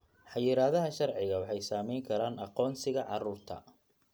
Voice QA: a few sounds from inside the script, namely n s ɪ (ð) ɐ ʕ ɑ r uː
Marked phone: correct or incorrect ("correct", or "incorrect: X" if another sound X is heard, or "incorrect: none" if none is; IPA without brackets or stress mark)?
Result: incorrect: ɣ